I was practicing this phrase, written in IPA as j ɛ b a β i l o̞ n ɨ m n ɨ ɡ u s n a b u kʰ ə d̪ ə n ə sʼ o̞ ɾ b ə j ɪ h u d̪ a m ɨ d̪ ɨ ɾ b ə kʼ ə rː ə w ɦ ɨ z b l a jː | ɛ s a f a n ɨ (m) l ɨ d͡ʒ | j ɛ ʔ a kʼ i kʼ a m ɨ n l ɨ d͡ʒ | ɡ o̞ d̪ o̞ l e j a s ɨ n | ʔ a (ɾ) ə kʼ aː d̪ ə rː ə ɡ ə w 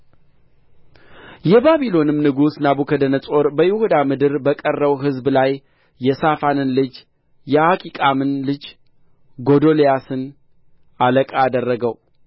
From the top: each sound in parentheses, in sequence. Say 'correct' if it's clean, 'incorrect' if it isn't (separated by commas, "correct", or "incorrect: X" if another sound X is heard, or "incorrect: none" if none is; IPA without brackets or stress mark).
incorrect: n, incorrect: l